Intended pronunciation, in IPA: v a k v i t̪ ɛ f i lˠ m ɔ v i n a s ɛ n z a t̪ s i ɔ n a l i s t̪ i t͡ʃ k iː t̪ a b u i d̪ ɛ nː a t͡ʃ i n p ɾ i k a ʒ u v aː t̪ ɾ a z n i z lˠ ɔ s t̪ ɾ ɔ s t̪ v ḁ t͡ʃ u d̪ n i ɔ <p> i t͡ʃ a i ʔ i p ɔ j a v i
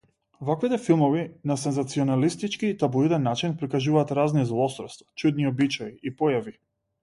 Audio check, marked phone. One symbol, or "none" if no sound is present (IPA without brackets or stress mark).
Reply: b